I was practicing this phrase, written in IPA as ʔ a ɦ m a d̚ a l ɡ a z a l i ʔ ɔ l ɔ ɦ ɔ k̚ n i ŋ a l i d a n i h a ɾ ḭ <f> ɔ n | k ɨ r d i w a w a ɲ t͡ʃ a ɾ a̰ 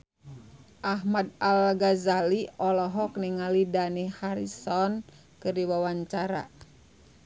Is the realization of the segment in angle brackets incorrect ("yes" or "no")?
yes